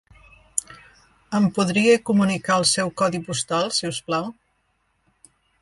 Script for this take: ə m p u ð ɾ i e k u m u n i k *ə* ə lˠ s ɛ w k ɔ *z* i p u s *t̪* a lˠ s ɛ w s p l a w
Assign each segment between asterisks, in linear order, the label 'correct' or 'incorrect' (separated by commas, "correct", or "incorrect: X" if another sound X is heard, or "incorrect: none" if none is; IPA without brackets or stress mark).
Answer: incorrect: a, incorrect: ð, correct